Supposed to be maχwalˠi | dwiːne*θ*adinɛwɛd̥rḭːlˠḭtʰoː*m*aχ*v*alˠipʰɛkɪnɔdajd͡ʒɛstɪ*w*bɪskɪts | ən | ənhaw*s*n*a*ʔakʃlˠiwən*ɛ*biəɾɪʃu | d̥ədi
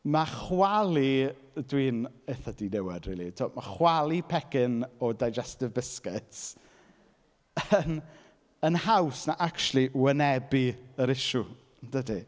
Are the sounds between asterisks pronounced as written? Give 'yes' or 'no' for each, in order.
yes, yes, no, no, yes, yes, yes

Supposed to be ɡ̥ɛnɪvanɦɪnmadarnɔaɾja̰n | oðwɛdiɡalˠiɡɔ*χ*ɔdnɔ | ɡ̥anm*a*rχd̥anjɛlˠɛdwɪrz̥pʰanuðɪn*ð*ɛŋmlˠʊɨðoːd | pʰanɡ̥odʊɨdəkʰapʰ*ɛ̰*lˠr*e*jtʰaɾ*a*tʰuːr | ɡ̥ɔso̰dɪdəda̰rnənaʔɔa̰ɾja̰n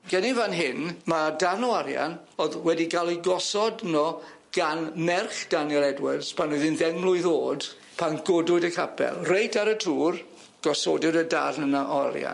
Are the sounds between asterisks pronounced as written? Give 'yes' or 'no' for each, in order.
no, no, yes, yes, yes, no

